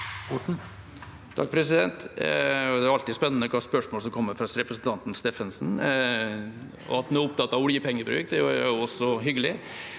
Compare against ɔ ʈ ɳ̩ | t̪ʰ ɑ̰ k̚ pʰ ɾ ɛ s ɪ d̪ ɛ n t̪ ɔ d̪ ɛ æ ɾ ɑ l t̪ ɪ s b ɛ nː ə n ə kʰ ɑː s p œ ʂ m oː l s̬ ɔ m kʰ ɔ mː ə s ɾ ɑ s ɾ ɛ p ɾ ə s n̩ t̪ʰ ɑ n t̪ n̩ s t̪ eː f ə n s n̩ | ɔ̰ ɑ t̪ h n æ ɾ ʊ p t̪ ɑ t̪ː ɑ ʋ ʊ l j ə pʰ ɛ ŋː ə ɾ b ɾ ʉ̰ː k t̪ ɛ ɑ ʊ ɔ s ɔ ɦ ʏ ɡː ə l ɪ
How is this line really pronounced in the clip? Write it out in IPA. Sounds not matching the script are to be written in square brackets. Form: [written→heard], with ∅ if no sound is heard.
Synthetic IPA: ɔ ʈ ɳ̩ | t̪ʰ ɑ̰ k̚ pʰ ɾ ɛ s ɪ d̪ ɛ n t̪ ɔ d̪ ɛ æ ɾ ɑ l t̪ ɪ s [b→p] ɛ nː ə n ə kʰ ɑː s p œ ʂ m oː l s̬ ɔ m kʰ ɔ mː ə [s→f] ɾ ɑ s ɾ ɛ p ɾ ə s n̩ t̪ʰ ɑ n t̪ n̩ s t̪ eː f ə n s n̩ | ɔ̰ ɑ t̪ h n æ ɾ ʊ p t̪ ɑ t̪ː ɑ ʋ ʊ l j ə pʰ ɛ ŋː ə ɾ b ɾ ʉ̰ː k [t̪→d̪] ɛ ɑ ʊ ɔ s ɔ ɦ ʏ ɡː ə l ɪ